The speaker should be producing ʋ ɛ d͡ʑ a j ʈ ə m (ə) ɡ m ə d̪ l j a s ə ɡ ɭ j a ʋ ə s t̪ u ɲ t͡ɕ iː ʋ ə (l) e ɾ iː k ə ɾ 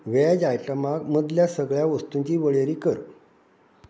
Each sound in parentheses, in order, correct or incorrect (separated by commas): incorrect, incorrect